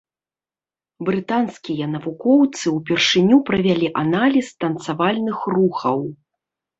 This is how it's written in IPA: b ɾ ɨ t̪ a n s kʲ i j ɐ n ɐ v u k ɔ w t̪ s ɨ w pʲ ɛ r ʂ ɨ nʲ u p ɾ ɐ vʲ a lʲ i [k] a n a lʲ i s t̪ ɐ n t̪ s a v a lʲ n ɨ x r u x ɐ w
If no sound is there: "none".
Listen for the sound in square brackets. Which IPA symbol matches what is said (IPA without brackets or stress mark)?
ʔ